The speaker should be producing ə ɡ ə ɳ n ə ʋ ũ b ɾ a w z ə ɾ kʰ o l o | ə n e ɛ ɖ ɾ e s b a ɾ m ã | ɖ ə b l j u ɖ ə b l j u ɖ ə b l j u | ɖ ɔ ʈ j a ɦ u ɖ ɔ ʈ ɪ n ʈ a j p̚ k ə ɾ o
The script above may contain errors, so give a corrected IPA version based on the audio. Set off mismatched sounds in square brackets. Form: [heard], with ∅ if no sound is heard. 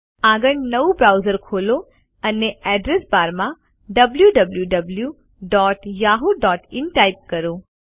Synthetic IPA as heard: [a] ɡ ə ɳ n ə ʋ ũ b ɾ a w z ə ɾ kʰ o l o | ə n e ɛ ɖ ɾ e s b a ɾ m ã | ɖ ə b l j u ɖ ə b l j u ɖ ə b l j u | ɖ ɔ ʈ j a ɦ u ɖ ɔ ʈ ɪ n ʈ a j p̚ k ə ɾ o

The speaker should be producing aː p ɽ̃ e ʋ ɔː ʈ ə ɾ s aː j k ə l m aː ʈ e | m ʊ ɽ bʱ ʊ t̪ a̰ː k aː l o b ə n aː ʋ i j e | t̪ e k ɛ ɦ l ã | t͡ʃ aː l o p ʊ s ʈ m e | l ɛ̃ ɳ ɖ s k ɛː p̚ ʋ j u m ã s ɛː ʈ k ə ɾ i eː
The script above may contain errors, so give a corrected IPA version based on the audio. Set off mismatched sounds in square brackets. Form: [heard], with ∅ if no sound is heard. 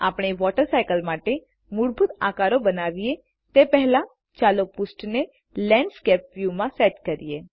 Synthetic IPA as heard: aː p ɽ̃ e ʋ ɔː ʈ ə ɾ s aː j k ə l m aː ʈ e | m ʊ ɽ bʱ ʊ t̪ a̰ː k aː [ɾ] o b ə n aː ʋ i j e | t̪ e [p] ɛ ɦ l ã | t͡ʃ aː l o p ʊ s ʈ [n] e | l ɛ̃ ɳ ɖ s k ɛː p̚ ʋ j u m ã s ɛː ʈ k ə ɾ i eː

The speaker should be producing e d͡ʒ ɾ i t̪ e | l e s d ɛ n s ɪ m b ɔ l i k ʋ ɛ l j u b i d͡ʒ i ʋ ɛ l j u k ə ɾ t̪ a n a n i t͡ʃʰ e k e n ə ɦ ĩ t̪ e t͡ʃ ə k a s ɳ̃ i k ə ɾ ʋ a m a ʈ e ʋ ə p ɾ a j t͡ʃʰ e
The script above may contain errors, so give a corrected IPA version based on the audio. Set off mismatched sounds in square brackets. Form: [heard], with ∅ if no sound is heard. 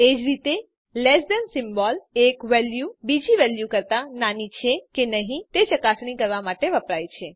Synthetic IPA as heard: e d͡ʒ ɾ i t̪ e | l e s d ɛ n s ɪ m b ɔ l [e] k ʋ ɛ l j u b i d͡ʒ i ʋ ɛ l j u k ə ɾ t̪ a n a n i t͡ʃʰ e k e n ə ɦ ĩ t̪ e t͡ʃ ə k a s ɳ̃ i k ə ɾ ʋ a m a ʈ e ʋ ə p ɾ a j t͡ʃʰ e

